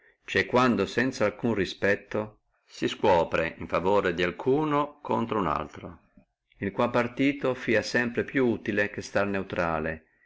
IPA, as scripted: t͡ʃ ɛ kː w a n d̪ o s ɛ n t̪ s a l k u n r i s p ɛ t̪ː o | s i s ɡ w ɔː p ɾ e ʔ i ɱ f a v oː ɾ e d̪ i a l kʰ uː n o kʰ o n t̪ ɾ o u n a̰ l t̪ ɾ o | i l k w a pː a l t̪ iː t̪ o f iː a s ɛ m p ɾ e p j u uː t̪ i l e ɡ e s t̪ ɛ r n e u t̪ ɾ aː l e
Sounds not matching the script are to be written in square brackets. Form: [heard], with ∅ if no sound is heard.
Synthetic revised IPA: t͡ʃ ɛ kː w a n d̪ o s ɛ n t̪ s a l k u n r i s p ɛ t̪ː o | s i s [k] w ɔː p ɾ e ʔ i ɱ f a v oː ɾ e d̪ i a l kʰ uː n o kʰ o n t̪ ɾ o u n a̰ l t̪ ɾ o | i l k w a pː a [r] t̪ iː t̪ o f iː a s ɛ m p ɾ e p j u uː t̪ i l e [k] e s t̪ [a] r n e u t̪ ɾ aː l e